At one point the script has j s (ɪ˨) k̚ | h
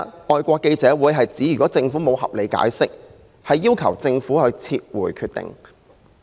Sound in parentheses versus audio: incorrect: ɪ˥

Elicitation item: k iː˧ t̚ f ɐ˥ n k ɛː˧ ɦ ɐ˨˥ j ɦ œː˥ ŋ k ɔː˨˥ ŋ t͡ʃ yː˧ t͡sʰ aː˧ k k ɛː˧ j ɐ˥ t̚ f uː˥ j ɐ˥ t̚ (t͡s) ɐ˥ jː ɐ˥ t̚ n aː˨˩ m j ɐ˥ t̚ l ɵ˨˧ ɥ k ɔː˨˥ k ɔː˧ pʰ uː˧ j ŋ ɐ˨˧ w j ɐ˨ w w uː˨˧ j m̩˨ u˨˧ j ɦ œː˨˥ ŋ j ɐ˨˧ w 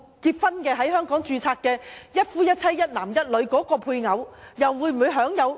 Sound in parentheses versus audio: incorrect: t͡sʰ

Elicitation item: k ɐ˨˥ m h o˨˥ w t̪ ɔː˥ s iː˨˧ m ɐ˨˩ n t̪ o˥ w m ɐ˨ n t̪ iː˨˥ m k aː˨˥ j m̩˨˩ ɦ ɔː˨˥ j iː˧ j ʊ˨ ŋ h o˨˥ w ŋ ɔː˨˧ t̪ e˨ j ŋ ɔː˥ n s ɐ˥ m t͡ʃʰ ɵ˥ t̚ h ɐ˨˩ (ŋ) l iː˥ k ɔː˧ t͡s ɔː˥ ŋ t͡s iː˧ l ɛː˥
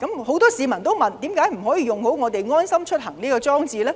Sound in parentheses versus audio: correct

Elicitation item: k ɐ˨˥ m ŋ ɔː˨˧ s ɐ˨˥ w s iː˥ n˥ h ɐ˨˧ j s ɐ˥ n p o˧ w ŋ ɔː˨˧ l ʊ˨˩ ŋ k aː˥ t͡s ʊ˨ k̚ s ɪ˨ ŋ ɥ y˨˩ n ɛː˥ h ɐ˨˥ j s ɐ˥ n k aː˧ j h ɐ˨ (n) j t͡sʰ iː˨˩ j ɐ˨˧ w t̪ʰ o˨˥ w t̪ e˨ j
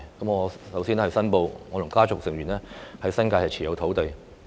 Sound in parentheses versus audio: incorrect: none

